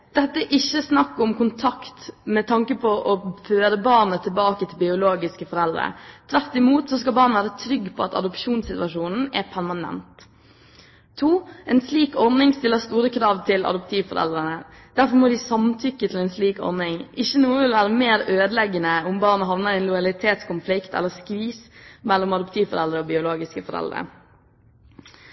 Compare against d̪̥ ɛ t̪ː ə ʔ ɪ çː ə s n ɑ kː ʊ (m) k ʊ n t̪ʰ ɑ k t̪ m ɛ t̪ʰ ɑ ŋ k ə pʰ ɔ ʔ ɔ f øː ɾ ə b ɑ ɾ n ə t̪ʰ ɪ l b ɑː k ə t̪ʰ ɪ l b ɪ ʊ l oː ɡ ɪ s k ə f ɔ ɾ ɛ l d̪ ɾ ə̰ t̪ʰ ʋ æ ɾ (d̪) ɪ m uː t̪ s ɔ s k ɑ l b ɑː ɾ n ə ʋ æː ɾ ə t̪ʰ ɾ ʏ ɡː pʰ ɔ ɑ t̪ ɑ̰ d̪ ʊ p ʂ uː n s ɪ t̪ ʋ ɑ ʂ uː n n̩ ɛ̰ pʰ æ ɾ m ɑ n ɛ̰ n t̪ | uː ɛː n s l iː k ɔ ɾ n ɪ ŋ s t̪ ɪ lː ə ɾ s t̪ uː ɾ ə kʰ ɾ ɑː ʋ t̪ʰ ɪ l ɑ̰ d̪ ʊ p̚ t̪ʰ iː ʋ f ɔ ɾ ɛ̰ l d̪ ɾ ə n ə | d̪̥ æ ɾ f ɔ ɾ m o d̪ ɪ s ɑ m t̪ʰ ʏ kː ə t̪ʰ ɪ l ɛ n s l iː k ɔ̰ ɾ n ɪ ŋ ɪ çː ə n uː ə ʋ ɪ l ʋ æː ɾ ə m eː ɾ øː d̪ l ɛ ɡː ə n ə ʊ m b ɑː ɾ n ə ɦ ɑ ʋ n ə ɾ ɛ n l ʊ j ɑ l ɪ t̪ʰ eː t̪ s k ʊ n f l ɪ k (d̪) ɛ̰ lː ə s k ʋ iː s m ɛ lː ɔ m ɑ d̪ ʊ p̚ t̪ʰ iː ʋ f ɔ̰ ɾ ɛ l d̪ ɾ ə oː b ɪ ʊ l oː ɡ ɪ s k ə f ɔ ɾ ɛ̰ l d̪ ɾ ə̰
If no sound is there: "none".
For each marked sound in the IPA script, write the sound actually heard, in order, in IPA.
m, t̪, t̪

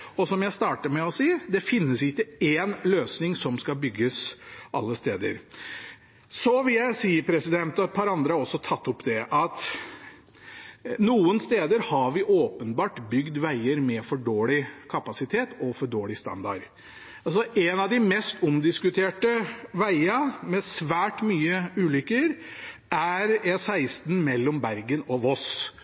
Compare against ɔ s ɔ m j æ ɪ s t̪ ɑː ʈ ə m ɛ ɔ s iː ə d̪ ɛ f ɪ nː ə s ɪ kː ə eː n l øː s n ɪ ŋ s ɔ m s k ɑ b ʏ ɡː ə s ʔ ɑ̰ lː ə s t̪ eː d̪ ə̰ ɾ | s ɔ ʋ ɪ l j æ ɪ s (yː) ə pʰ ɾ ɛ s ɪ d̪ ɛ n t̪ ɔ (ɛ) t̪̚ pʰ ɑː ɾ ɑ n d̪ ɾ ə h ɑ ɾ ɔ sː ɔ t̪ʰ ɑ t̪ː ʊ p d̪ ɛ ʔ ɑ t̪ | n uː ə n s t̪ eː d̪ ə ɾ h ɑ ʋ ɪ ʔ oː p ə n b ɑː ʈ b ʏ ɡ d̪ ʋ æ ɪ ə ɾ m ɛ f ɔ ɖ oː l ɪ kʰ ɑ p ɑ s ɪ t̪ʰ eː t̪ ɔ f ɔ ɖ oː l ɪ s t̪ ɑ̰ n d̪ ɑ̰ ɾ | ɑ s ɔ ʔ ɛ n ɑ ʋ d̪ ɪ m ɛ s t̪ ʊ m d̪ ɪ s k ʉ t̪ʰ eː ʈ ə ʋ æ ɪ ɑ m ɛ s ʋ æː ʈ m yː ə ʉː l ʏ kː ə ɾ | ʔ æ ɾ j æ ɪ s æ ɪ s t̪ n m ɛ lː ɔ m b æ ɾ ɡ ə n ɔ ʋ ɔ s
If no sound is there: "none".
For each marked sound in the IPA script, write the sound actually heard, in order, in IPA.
iː, ɛ

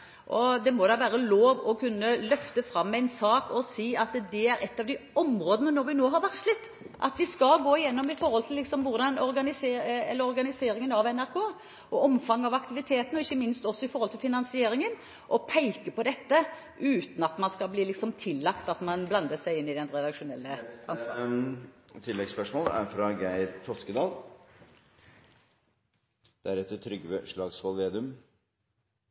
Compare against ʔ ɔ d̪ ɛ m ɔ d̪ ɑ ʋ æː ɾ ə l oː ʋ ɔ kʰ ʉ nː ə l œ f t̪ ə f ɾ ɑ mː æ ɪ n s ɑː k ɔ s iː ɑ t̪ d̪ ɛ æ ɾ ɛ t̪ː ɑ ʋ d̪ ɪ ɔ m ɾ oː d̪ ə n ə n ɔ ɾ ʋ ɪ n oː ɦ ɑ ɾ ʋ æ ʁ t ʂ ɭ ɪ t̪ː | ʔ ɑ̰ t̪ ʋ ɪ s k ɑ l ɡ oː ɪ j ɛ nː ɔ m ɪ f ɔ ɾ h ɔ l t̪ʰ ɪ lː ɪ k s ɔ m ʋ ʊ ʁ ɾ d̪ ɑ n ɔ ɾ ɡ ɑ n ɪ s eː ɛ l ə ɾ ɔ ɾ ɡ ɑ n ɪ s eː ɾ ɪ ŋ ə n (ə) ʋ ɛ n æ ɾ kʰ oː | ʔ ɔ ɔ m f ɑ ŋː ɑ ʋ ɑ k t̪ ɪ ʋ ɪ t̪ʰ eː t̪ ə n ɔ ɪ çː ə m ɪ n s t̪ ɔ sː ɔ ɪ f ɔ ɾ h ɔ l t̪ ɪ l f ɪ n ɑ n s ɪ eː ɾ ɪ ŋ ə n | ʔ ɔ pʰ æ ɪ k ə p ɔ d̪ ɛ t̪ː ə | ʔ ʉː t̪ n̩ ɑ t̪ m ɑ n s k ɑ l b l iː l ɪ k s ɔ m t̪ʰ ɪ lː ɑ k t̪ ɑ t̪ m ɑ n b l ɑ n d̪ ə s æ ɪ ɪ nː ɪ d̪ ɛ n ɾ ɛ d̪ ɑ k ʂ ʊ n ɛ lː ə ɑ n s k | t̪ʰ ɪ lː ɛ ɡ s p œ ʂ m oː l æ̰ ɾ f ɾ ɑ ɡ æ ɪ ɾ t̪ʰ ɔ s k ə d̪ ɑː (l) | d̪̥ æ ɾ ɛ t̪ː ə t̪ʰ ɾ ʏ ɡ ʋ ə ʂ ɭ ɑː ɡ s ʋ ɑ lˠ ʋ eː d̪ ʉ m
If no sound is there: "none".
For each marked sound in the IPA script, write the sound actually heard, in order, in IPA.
ɑ, l

